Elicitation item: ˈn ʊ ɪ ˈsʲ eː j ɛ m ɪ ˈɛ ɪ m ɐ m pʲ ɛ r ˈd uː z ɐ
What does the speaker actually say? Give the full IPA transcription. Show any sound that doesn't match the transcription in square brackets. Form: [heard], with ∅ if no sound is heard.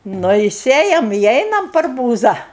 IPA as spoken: ˈn ʊ ɪ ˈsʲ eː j ɛ m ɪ ˈɛ ɪ [n] ɐ m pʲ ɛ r [ˈb] uː z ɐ

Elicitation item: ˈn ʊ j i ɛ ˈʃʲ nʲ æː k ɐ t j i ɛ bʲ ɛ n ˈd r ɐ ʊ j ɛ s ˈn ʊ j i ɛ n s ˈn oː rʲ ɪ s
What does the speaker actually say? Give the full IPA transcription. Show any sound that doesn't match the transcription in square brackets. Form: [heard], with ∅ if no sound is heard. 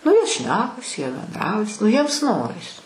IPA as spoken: ˈn ʊ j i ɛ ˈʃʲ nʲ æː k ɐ [s] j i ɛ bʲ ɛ n ˈd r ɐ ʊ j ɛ s ˈn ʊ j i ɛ [m] s ˈn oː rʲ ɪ s

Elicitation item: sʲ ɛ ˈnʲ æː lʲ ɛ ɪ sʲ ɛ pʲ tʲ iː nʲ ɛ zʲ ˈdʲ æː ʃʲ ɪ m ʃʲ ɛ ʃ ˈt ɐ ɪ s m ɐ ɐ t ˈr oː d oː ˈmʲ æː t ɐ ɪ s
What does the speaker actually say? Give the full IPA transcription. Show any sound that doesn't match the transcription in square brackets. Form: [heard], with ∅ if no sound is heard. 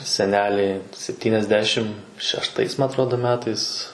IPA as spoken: sʲ ɛ ˈnʲ æː lʲ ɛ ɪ sʲ ɛ pʲ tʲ iː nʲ ɛ zʲ ˈdʲ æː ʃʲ ɪ m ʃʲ ɛ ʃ ˈt ɐ ɪ s m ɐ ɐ t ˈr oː d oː ˈmʲ æː t ɐ ɪ s

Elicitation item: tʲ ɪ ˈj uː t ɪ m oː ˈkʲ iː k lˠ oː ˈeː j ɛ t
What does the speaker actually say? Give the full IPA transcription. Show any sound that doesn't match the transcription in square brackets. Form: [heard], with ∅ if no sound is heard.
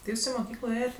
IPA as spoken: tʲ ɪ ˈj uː [s] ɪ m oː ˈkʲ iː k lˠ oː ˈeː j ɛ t

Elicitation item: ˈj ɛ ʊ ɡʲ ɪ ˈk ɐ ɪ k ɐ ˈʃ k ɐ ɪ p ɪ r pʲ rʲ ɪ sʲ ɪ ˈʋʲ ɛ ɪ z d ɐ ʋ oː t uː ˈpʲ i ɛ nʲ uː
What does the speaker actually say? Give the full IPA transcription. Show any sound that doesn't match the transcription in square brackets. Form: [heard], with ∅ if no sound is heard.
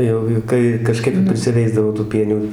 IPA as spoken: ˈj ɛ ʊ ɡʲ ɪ ˈk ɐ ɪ k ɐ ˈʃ k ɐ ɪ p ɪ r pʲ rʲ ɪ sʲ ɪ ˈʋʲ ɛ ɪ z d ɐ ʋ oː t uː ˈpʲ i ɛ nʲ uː

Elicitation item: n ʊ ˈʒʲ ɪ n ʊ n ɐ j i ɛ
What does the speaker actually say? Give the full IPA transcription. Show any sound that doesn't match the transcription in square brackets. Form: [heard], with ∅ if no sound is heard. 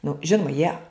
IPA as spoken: n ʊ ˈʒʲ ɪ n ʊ [m] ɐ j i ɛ

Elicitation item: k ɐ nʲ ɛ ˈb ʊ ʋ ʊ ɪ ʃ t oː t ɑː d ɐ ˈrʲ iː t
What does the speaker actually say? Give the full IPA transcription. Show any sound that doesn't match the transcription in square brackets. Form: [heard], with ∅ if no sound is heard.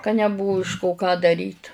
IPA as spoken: k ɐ nʲ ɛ ˈb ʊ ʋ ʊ ɪ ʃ [k] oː [k] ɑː d ɐ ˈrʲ iː t

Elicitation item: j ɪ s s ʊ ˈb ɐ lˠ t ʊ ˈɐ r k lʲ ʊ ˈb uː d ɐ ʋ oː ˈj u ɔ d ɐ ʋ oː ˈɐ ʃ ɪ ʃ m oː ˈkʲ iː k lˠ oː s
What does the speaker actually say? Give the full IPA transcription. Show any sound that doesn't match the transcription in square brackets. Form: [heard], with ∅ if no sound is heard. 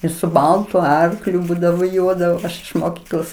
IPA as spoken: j ɪ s s ʊ ˈb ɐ lˠ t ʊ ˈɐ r k lʲ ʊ ˈb uː d ɐ ʋ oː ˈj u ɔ d ɐ ʋ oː ˈɐ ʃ ɪ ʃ m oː ˈkʲ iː k lˠ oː s

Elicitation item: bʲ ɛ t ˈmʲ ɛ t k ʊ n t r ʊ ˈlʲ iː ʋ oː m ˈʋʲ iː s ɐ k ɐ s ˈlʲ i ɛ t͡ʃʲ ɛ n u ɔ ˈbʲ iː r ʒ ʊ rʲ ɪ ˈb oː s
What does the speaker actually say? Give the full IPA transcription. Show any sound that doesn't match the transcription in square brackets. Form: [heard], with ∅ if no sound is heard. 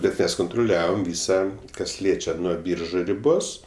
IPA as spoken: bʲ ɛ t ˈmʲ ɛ [s] k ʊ n t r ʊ ˈlʲ [æː] ʋ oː m ˈʋʲ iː s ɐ k ɐ s ˈlʲ i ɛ t͡ʃʲ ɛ n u ɔ ˈbʲ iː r ʒ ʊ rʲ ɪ ˈb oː s

